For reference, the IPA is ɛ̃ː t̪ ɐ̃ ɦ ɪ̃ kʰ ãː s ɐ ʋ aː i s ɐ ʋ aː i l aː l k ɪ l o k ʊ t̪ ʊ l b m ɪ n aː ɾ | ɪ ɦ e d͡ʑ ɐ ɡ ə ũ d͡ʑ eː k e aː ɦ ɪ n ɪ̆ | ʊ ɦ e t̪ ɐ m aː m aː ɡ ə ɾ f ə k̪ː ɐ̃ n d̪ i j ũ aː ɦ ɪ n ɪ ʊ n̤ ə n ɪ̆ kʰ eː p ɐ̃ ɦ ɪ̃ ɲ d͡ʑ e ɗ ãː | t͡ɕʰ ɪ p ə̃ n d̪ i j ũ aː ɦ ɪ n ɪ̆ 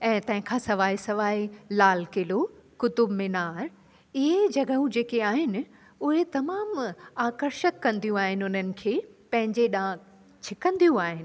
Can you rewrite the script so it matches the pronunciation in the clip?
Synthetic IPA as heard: ɛ̃ː t̪ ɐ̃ ɦ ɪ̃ kʰ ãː s ɐ ʋ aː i s ɐ ʋ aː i l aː l k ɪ l o k ʊ t̪ ʊ b m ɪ n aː ɾ | ɪ ɦ e d͡ʑ ɐ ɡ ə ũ d͡ʑ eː k e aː ɦ ɪ n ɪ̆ | ʊ ɦ e t̪ ɐ m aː m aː k ə ɾ ʃ ə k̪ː ɐ̃ n d̪ i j ũ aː ɦ ɪ n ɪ ʊ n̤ ə n ɪ̆ kʰ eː p ɐ̃ ɦ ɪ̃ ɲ d͡ʑ e ɗ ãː | t͡ɕʰ ɪ k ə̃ n d̪ i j ũ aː ɦ ɪ n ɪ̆